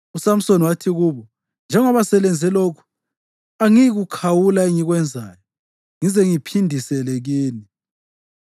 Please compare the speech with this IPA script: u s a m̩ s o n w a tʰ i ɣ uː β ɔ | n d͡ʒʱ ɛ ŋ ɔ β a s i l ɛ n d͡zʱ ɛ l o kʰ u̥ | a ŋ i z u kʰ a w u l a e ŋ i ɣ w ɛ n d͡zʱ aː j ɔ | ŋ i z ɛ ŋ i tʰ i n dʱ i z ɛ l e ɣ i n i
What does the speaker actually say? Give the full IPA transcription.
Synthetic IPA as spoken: u s a m̩ s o n w a tʰ i ɣ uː β ɔ | n d͡ʒʱ ɛ ŋ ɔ β a s ɛ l ɛ n d͡zʱ ɛ l o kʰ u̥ | a ŋ i ɣ u kʰ a w u l a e ŋ i ɣ w ɛ n d͡zʱ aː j ɔ | ŋ i z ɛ ŋ i pʰ i n dʱ i s ɛ l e ɣ iː n i